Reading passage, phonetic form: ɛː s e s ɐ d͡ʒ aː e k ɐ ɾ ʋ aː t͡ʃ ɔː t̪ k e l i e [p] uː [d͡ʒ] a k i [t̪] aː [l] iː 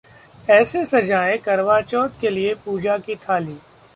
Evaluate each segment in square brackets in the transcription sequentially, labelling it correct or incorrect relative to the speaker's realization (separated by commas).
correct, correct, incorrect, correct